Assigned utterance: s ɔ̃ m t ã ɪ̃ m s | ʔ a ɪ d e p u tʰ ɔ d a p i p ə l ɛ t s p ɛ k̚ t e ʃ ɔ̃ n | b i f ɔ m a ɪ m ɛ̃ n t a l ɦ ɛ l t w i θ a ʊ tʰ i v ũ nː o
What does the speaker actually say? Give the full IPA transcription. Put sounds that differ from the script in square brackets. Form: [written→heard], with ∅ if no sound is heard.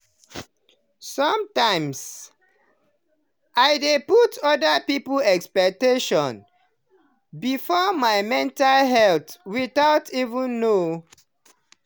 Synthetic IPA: s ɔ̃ m t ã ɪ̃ m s | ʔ a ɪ d e p u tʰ ɔ d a p i p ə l ɛ [t→k] s p ɛ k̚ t e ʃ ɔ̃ n | b i f ɔ m a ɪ m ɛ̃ n t a l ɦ ɛ l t w i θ a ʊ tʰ i v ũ nː o

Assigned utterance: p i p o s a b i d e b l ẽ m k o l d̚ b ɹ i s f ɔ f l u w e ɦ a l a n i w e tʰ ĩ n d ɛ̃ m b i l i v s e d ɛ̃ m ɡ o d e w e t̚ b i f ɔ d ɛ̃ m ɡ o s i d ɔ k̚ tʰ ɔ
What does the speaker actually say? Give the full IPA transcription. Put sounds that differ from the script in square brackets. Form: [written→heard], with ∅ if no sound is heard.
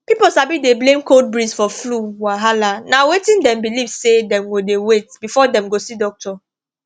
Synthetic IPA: p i p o s a b i d e b l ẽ m k o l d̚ b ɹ i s f ɔ f l u w [e→a] ɦ a l a n [i→a] w e [tʰ→t] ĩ n d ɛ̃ m b i l i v s e d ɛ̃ m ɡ o d e w e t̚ b i f ɔ d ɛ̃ m ɡ o s i d ɔ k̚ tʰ ɔ

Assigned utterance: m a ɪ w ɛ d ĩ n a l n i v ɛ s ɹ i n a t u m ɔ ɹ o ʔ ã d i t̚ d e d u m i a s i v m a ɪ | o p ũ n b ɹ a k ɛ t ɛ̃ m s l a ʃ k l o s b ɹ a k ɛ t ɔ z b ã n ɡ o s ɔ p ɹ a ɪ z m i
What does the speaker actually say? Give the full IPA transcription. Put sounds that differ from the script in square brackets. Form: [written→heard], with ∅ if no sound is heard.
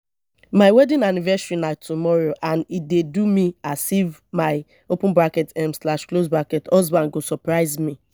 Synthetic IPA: m a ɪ w ɛ d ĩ n a [l→∅] n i v ɛ s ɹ i n a t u m ɔ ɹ o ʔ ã [d→n] i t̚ d e d u m i a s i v m a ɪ | o p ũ n b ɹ a k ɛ t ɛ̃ m s l a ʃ k l o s b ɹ a k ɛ t ɔ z b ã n ɡ o s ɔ p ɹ a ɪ z m i

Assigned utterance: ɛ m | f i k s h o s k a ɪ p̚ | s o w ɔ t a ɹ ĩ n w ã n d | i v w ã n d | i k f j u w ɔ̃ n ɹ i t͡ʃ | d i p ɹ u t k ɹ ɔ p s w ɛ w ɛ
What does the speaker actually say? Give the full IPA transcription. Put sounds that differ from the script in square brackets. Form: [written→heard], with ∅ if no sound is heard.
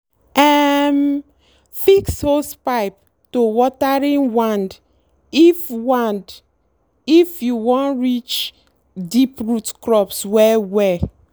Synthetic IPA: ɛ m | f i k s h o s [k→p] a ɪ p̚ | [s→t] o w ɔ t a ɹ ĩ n w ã n d | i [v→f] w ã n d | i [k→∅] f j u w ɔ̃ n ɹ i t͡ʃ | d i p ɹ u t k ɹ ɔ p s w ɛ w ɛ

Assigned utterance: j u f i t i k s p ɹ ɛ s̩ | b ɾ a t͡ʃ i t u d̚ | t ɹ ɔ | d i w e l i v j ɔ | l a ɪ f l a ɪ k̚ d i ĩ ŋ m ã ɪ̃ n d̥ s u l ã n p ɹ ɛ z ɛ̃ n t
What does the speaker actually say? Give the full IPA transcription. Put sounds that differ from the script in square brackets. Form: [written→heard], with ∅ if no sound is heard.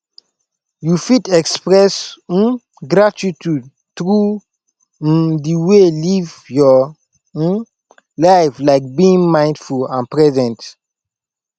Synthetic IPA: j u f i t [i→ɛ] k s p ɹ ɛ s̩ | [b→ɡ] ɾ a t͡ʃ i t u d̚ | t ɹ [ɔ→u] | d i w e l i v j ɔ | l a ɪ f l a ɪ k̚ [d→b] i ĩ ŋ m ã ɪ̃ n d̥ [s→f] u l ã n p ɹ ɛ z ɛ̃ n t

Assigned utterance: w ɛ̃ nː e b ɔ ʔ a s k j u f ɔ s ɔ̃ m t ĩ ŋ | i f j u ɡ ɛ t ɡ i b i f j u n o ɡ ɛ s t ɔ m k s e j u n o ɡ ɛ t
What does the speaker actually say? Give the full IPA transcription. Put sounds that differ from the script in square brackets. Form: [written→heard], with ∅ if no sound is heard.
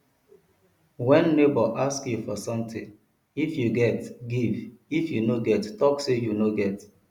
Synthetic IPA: w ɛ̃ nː e b ɔ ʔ a s k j u f ɔ s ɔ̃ m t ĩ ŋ | i f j u ɡ ɛ t ɡ i [b→v] i f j u n o ɡ ɛ [s→t] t ɔ [m→∅] k s e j u n o ɡ ɛ t

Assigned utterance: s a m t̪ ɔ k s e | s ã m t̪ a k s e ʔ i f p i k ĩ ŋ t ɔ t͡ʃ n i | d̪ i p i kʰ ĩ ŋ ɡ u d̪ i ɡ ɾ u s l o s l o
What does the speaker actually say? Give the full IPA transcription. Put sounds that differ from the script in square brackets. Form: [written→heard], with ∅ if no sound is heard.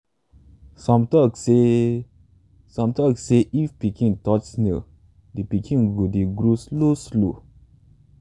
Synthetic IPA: s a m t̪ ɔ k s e | s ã m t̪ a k s e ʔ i f p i k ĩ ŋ t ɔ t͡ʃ n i | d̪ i p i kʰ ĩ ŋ ɡ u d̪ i ɡ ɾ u s l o s l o

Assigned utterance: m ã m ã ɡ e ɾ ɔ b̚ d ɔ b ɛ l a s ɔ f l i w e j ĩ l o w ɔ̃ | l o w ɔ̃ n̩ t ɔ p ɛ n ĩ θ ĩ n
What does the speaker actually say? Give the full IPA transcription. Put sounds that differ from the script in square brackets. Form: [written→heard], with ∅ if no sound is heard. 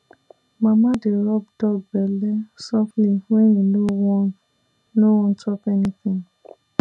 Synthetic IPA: m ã m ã [ɡ→d] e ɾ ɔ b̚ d ɔ b ɛ l [a→ɛ] s ɔ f l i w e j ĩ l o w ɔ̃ | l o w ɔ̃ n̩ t ɔ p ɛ n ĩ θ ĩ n

